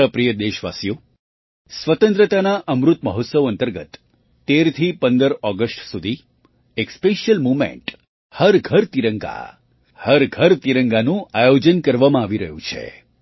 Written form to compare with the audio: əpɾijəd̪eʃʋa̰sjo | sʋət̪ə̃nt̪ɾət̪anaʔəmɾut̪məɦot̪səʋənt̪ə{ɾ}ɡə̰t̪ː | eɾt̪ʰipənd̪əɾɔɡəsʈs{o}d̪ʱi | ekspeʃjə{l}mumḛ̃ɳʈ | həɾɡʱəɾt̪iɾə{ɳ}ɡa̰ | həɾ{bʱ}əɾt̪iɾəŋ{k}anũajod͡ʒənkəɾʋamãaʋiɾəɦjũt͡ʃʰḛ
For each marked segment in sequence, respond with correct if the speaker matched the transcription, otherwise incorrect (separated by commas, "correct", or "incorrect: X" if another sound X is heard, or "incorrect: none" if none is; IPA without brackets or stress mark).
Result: correct, incorrect: u, correct, incorrect: ŋ, incorrect: ɡʱ, incorrect: ɡ